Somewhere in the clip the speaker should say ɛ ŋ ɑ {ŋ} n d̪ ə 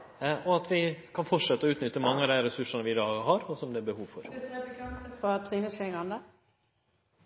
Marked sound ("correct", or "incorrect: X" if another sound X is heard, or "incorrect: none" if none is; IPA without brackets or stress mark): incorrect: none